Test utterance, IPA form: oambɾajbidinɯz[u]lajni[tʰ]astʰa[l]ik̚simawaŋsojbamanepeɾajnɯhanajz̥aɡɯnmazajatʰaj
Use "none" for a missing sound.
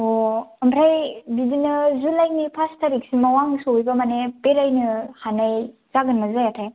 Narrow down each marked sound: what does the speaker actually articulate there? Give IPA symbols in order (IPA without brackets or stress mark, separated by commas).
u, pʰ, ɾ